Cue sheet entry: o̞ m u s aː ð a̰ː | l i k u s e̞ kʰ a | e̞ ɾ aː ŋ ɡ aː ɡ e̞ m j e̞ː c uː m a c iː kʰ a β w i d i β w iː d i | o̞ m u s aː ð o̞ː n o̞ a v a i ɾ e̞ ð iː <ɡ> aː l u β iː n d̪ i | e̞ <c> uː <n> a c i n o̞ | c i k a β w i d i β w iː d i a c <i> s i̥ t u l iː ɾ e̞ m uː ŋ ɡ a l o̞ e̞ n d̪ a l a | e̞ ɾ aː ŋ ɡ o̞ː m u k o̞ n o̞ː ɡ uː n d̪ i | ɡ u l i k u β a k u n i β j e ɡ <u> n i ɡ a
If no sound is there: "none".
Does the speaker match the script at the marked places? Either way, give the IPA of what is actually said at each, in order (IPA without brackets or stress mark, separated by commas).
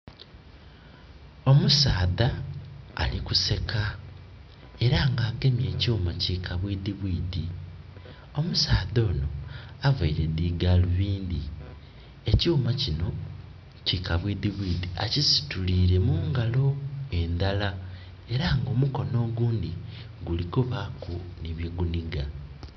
ɡ, c, m, i, u